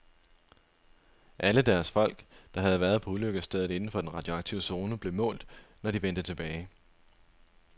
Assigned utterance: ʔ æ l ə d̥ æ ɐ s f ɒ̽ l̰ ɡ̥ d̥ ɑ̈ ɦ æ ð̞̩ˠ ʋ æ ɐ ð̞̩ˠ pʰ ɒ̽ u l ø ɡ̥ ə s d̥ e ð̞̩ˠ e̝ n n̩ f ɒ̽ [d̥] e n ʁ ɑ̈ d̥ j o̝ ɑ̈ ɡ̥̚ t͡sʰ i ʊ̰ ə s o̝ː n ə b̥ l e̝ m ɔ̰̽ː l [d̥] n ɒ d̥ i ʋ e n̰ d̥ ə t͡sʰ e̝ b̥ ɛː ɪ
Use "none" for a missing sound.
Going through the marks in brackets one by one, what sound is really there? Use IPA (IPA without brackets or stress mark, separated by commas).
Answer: d̥, d̥